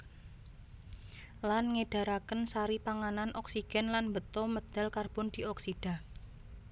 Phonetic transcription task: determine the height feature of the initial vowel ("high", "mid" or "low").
low